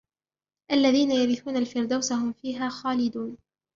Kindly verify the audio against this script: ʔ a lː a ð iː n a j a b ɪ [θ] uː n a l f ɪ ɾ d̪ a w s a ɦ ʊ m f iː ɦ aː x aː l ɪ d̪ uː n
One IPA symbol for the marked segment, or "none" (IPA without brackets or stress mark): θ